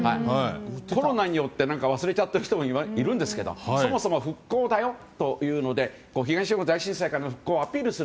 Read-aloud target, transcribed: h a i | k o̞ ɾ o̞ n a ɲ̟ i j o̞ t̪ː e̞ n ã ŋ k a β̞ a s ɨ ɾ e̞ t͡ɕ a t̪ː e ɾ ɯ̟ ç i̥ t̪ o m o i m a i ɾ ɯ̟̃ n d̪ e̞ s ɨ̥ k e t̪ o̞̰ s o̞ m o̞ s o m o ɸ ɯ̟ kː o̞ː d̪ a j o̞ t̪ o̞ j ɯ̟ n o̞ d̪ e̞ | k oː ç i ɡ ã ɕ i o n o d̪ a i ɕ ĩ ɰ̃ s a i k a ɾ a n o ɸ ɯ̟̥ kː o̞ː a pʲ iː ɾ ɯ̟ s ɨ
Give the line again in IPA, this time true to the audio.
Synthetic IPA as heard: h a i | k o̞ ɾ o̞ n a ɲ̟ i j o̞ t̪ː e̞ n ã ŋ k a β̞ a s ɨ ɾ e̞ t͡ɕ a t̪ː e ɾ ɯ̟ ç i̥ t̪ o m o i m a i ɾ ɯ̟̃ n d̪ e̞ s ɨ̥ k e d̪ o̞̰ s o̞ m o̞ s o m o ɸ ɯ̟ kː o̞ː d̪ a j o̞ t̪ o̞ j ɯ̟ː n o̞ d̪ e̞ | k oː ç i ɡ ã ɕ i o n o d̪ a i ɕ ĩ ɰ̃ s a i k a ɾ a n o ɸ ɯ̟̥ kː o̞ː a pʲ iː ɾ ɯ̟ s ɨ